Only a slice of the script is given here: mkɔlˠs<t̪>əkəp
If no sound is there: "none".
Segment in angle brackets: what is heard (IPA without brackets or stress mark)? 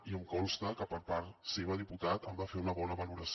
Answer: t̪